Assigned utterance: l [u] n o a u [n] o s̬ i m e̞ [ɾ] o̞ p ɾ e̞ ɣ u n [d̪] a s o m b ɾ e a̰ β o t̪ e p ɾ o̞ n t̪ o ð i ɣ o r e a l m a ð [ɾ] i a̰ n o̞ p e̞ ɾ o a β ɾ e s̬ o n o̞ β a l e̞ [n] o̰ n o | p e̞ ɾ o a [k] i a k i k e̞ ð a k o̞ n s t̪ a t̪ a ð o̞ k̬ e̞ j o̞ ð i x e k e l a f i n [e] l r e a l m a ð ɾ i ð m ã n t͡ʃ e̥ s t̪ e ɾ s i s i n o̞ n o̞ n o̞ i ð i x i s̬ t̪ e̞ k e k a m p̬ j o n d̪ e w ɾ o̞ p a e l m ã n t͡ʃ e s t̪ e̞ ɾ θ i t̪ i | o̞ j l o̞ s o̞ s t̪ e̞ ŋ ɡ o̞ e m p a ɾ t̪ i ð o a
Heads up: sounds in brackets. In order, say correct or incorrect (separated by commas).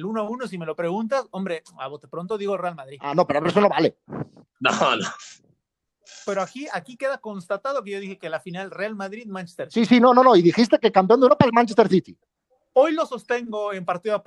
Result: correct, correct, incorrect, incorrect, correct, correct, correct, incorrect